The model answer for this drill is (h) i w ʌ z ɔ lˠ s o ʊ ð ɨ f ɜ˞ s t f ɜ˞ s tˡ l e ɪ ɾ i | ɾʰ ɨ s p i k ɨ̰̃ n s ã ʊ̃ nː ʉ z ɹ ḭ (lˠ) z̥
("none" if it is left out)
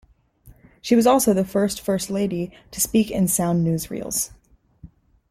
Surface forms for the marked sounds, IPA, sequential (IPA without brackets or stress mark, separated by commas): ʃ, lˠ